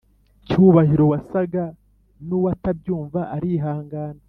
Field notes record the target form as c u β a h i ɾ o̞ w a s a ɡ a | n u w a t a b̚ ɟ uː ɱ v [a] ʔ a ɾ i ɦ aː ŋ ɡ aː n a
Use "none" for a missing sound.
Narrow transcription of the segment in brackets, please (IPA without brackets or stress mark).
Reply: a